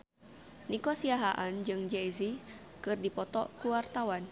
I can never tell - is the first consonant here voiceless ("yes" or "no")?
no